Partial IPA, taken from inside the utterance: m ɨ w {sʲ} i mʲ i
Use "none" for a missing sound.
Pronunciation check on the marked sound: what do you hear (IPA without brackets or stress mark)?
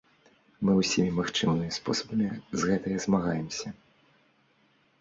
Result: sʲ